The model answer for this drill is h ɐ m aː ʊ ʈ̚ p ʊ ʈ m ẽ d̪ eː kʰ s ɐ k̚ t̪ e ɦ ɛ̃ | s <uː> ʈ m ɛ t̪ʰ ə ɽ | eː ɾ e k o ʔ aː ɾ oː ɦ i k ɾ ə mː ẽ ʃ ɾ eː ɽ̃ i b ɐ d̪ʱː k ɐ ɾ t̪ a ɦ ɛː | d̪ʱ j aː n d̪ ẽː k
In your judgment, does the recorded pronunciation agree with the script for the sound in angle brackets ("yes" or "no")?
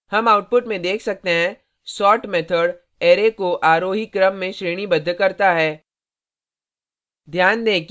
no